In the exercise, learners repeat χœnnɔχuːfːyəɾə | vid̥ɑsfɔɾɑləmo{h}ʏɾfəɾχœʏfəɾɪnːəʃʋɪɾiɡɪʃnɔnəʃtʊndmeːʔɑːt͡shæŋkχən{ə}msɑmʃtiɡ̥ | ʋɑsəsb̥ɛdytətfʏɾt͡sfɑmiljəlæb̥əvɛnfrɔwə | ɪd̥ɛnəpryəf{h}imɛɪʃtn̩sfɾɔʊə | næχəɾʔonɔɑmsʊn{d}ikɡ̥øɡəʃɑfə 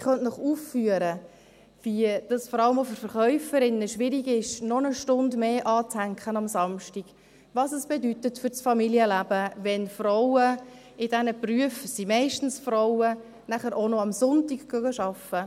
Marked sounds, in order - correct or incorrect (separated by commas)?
incorrect, incorrect, incorrect, incorrect